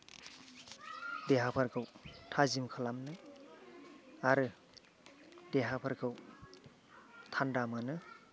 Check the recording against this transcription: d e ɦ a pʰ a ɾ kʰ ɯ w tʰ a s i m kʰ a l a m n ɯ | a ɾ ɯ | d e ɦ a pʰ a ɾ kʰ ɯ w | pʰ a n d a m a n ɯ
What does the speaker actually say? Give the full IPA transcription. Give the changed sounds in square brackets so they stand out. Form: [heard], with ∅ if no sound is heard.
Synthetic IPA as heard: d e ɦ a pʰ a ɾ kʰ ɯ w tʰ a [z] i m kʰ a l a m n ɯ | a ɾ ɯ | d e ɦ a pʰ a ɾ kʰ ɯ w | [tʰ] a n d a m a n ɯ